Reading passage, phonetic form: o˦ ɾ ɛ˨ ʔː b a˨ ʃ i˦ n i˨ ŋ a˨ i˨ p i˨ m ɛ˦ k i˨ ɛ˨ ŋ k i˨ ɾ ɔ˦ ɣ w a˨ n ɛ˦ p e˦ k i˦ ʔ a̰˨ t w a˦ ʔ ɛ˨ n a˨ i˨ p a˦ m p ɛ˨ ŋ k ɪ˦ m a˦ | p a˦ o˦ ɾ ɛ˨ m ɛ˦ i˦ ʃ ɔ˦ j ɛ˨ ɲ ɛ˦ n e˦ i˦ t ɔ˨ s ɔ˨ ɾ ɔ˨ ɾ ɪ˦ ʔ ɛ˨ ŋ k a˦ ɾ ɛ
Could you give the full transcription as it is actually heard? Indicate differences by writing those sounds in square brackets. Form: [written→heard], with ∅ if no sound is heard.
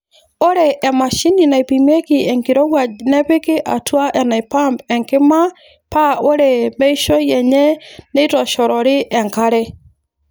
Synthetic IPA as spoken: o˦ ɾ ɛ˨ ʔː [b→m] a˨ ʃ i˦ n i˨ [ŋ→n] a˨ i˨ p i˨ m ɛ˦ k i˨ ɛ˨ ŋ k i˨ ɾ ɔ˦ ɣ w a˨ n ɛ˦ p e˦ k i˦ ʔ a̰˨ t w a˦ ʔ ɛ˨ n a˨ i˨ p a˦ m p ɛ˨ ŋ k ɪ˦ m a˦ | p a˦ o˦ ɾ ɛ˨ m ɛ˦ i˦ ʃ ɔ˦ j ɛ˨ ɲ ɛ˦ n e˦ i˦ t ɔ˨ [s→ʃ] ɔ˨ ɾ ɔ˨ ɾ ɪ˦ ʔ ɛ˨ ŋ k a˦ ɾ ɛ